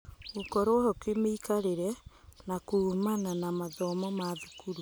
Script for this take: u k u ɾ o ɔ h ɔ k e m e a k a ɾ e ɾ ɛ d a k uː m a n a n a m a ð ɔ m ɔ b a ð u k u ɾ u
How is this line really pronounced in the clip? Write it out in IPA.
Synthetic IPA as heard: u k ɔ ɾ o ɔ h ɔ k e m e i k a ɾ e ɾ ɛ n a k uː m a n a n a m a ð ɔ m ɔ m a ð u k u ɾ u